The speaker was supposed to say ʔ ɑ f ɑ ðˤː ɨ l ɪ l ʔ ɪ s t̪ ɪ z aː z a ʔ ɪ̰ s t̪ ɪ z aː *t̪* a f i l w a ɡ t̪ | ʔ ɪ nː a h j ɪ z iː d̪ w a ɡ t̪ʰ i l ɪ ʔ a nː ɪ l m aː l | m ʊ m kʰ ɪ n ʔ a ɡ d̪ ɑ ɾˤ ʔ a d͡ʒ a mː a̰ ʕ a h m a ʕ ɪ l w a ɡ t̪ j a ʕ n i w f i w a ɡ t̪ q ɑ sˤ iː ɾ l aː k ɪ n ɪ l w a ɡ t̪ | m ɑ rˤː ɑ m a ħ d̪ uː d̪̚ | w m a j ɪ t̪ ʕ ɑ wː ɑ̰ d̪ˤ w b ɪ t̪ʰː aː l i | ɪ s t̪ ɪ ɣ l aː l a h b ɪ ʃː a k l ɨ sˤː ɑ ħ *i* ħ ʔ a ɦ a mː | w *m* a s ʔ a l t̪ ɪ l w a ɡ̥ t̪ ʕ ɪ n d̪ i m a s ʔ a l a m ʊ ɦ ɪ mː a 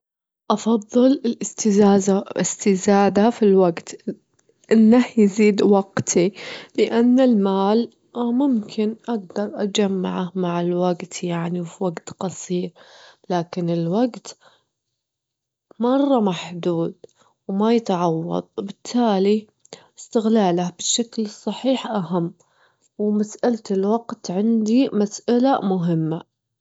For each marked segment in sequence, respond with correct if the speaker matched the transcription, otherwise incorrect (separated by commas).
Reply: incorrect, incorrect, correct